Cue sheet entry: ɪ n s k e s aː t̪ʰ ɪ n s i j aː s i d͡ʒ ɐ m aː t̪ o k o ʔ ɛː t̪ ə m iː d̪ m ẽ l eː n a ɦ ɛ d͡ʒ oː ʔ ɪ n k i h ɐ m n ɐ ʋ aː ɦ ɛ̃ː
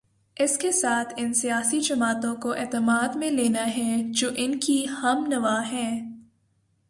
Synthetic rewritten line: ɪ s k e s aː t̪ʰ ɪ n s i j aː s i d͡ʒ ɐ m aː t̪ õ k o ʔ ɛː t̪ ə m aː d̪ m ẽ l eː n a ɦ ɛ d͡ʒ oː ʔ ɪ n k i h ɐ m n ɐ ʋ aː ɦ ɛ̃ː